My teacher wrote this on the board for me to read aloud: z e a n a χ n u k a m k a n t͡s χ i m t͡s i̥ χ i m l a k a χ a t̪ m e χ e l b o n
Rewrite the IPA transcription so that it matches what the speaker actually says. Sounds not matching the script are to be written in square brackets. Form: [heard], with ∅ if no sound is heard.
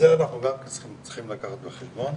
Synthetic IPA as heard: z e a n a χ n u [ɡ] a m k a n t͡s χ i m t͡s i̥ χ i m l a k a χ a t̪ [b] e χ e l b o n